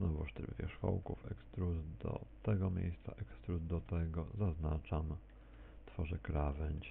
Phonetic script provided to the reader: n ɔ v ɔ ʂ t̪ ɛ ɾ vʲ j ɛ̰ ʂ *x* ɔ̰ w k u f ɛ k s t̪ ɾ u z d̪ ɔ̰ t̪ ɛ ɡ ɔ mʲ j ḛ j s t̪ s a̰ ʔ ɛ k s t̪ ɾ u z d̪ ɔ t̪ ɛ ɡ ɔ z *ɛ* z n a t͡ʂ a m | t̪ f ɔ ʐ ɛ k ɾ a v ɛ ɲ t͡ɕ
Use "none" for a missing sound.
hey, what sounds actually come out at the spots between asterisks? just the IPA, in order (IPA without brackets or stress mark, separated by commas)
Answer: x, a